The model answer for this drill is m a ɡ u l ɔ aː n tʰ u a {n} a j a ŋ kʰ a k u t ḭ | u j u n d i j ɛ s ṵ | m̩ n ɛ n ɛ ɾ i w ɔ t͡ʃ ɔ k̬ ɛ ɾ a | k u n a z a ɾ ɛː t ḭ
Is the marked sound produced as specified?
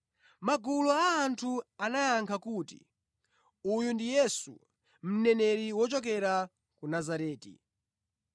yes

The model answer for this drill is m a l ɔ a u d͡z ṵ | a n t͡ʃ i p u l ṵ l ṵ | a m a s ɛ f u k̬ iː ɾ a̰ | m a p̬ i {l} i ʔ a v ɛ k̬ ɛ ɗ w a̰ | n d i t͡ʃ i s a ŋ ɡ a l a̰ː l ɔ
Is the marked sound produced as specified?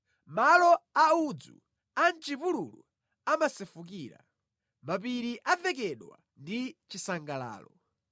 no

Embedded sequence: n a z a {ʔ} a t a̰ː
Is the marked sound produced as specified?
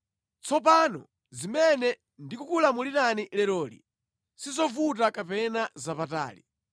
no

